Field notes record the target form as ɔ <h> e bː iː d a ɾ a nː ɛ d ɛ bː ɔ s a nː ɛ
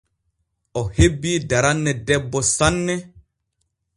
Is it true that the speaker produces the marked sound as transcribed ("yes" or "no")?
yes